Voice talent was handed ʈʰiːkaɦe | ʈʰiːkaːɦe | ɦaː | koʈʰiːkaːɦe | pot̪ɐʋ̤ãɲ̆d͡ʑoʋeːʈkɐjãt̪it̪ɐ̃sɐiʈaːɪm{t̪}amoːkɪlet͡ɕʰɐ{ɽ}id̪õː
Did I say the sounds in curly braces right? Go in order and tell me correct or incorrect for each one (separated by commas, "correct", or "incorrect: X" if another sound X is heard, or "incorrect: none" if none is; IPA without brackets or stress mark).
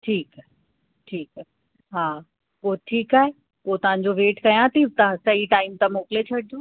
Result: correct, correct